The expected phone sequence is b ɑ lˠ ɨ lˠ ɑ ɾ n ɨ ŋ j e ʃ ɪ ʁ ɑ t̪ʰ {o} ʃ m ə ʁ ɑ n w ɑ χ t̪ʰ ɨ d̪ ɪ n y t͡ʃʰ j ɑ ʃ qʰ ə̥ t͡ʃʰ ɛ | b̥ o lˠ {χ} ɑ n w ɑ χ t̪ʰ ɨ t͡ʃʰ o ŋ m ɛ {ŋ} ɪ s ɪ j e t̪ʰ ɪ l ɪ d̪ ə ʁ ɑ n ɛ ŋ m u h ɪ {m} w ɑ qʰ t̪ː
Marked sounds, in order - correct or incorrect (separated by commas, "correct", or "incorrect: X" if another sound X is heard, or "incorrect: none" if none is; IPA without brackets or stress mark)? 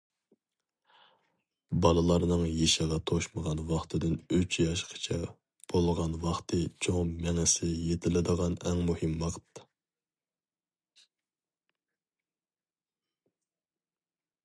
correct, incorrect: ʁ, correct, correct